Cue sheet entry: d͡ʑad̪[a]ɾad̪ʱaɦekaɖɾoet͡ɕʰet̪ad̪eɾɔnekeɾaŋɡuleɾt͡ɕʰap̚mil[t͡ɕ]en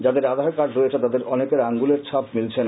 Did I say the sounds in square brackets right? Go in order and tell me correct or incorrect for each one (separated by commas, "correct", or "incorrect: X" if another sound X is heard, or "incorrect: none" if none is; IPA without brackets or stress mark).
incorrect: e, incorrect: t͡ɕʰ